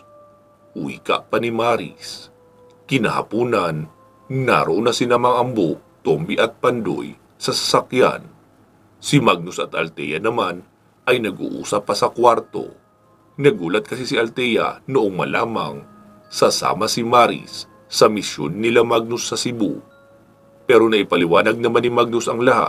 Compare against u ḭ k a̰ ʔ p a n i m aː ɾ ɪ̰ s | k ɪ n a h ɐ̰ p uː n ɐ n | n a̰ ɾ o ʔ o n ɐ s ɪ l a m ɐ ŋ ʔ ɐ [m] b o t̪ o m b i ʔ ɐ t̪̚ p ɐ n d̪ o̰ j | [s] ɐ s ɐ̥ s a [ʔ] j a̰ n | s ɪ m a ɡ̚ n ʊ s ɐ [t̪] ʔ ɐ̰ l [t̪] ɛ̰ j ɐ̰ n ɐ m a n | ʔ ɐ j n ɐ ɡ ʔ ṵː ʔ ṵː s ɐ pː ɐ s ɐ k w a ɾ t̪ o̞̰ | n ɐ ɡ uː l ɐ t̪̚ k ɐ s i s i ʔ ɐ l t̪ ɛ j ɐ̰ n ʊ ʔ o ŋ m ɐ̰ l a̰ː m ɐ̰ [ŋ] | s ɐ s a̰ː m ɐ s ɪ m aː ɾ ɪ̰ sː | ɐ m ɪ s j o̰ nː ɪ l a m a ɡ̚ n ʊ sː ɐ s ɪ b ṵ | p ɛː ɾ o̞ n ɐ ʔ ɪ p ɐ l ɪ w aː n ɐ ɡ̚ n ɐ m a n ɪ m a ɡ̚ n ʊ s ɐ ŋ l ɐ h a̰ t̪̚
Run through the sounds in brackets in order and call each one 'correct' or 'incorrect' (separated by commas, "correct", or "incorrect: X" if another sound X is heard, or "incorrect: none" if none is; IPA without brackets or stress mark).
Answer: correct, correct, incorrect: k, correct, correct, correct